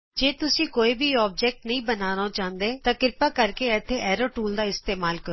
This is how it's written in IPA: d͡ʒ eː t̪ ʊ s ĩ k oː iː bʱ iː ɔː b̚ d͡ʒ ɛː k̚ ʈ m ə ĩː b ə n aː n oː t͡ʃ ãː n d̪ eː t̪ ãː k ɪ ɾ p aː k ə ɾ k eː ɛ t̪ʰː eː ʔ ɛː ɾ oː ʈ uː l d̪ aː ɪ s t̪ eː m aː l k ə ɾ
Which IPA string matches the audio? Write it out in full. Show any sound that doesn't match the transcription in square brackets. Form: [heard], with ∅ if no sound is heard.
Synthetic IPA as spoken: d͡ʒ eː t̪ ʊ s [ĩː] k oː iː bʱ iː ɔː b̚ d͡ʒ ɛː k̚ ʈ [n] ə ĩː b ə n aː n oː t͡ʃ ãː n d̪ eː t̪ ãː k ɪ ɾ p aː k ə ɾ k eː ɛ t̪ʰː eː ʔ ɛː ɾ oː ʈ uː l d̪ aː ɪ s t̪ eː m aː l k ə ɾ